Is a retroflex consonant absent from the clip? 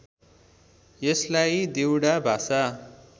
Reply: no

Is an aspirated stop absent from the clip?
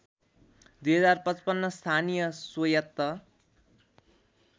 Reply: no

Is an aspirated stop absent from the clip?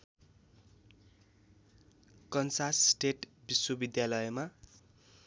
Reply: yes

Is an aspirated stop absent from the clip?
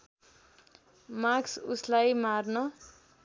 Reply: yes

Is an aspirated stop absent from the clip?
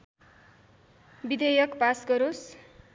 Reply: yes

